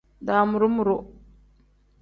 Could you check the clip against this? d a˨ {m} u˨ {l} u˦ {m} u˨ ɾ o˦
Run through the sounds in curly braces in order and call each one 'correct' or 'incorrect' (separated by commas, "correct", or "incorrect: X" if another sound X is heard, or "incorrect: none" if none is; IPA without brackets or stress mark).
correct, incorrect: ɾ, correct